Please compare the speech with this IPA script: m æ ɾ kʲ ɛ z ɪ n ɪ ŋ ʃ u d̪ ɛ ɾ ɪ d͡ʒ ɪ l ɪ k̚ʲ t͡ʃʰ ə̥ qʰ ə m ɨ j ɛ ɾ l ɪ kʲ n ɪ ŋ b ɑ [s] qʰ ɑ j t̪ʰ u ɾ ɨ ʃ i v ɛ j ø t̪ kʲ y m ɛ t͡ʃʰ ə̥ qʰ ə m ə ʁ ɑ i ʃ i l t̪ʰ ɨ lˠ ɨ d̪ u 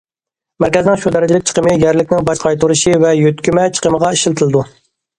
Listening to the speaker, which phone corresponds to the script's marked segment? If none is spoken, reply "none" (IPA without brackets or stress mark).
ʃ